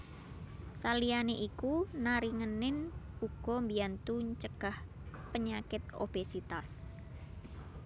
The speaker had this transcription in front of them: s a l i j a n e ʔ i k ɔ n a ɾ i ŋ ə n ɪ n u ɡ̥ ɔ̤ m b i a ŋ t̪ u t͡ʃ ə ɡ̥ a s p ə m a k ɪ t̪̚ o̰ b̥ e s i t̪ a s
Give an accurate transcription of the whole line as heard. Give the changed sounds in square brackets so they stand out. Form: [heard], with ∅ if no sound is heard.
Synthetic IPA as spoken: s a l i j a n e ʔ i k [u] n a ɾ i ŋ ə n ɪ n u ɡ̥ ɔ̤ m b i a [n] t̪ u t͡ʃ ə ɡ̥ a [h] p ə [ɲ] a k ɪ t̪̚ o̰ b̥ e s i t̪ a s